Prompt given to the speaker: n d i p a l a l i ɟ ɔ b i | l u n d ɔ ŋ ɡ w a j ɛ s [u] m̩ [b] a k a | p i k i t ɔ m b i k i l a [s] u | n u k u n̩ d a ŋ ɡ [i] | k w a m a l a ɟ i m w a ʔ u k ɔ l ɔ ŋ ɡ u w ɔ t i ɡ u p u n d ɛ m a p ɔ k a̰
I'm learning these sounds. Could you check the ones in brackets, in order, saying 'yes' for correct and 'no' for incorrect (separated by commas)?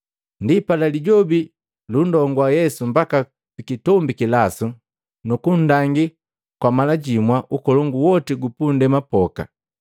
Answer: yes, yes, yes, yes